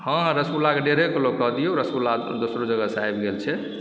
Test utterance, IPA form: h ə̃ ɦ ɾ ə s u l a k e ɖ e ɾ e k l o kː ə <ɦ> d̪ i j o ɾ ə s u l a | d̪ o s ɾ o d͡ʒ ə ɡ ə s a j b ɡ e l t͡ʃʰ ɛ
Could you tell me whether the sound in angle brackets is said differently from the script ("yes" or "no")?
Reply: no